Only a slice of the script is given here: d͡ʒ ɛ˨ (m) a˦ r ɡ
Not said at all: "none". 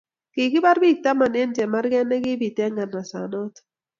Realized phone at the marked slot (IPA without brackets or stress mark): m